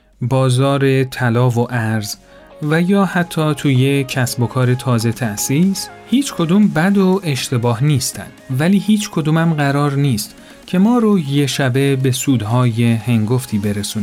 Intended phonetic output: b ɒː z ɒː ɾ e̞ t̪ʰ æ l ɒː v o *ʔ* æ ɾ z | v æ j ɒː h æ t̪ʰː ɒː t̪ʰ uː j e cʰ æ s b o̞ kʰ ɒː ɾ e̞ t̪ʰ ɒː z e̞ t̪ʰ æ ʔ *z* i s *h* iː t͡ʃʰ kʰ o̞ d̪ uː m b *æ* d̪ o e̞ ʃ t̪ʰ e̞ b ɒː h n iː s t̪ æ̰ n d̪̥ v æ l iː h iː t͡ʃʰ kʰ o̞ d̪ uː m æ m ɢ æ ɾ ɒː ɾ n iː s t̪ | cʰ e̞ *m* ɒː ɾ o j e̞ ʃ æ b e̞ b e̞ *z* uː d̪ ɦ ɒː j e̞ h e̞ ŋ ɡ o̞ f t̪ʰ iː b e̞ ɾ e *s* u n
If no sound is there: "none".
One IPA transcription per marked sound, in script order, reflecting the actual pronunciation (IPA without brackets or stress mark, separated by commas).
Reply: ʔ, s, h, æ, m, s, s